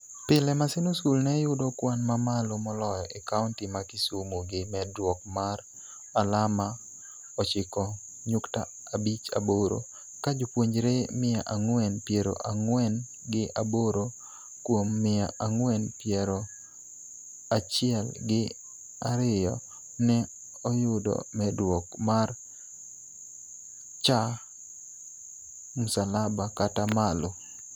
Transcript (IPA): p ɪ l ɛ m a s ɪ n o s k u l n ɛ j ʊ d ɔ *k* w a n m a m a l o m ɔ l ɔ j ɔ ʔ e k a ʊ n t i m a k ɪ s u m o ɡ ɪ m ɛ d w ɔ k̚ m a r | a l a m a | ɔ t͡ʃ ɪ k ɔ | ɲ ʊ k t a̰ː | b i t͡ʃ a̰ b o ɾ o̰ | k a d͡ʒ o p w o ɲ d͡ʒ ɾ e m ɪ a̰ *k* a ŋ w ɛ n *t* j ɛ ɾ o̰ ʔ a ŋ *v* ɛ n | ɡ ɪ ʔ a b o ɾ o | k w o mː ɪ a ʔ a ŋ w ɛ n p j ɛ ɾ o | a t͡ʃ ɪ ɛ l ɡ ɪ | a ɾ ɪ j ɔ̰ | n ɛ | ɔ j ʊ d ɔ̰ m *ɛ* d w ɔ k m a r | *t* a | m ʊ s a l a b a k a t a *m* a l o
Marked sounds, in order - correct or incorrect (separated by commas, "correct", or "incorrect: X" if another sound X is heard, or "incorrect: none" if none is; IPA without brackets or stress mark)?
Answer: correct, incorrect: ʔ, incorrect: p, incorrect: w, correct, incorrect: t͡ʃ, correct